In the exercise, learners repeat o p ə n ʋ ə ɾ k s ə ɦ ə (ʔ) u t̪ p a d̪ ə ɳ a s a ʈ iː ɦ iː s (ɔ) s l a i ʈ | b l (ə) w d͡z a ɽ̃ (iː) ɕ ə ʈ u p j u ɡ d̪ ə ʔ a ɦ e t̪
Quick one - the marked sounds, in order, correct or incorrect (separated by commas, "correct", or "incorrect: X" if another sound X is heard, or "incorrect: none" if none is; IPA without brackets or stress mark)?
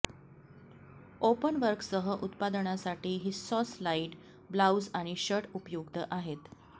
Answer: correct, correct, incorrect: a, incorrect: i